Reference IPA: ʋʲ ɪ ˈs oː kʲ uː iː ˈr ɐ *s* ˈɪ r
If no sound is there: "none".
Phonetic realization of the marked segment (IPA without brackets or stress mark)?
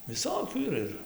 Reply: none